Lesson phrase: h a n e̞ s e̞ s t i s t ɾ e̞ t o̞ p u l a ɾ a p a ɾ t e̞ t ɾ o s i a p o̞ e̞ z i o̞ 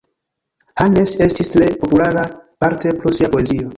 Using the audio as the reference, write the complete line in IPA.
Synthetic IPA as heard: h a n e̞ s e̞ s t i s t ɾ e̞ p o̞ p u l a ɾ a p a ɾ t e̞ p ɾ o s i a p o̞ e̞ z i o̞